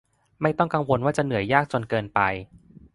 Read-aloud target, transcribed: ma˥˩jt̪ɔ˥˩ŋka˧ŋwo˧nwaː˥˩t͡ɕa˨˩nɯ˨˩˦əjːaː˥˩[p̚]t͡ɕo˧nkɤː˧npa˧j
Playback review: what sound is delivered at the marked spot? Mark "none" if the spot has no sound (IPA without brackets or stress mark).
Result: k̚